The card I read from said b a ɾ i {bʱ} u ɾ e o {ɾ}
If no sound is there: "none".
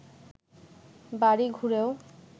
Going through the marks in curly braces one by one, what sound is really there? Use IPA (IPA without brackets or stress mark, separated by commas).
ɡʱ, none